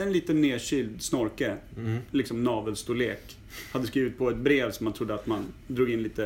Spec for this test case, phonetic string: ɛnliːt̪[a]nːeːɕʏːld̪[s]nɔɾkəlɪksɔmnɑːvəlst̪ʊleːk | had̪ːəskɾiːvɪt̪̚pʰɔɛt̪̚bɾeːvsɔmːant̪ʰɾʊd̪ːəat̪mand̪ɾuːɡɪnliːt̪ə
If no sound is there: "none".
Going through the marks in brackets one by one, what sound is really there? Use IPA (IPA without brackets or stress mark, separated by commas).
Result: ə, s